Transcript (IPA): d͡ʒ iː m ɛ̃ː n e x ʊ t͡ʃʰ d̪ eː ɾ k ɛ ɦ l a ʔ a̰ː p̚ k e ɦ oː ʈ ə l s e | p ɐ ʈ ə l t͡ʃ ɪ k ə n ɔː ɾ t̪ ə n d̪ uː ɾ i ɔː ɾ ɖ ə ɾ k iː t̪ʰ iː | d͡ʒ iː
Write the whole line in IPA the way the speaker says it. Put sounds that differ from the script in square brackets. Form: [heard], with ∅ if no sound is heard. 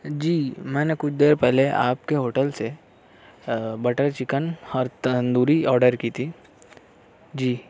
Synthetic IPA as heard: d͡ʒ iː m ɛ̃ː n e [k] ʊ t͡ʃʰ d̪ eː ɾ [p] ɛ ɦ l [e] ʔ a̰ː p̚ k e ɦ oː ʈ ə l s e | [b] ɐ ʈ ə [ɾ] t͡ʃ ɪ k ə n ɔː ɾ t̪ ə n d̪ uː ɾ i ɔː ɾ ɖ ə ɾ k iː t̪ʰ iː | d͡ʒ iː